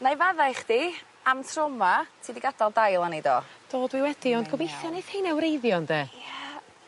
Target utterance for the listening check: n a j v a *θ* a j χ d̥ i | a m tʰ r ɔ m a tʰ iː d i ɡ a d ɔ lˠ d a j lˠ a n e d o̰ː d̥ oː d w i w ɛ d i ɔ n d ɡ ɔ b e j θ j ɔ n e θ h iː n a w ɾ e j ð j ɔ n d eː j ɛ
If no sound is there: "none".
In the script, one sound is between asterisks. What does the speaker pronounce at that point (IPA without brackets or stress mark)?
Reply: ð